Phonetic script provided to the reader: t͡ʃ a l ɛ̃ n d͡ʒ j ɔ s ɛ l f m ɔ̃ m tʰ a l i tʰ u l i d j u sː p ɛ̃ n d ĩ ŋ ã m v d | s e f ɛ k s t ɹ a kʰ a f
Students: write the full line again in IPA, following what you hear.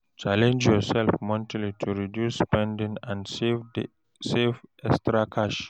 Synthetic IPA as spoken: t͡ʃ a l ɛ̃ n d͡ʒ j ɔ s ɛ l f m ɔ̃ n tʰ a l i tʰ u ɹ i d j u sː p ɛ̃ n d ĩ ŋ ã n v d | s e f ɛ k s t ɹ a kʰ a ʃ